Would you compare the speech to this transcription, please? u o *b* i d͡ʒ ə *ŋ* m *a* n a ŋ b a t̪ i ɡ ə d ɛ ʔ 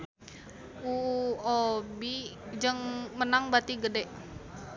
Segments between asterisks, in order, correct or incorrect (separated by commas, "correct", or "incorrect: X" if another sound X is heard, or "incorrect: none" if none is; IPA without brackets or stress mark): correct, correct, incorrect: ə